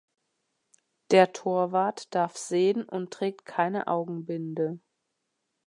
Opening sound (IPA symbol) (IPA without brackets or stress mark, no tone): d̥